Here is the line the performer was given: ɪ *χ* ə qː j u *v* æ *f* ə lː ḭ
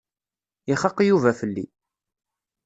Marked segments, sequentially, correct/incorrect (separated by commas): correct, correct, correct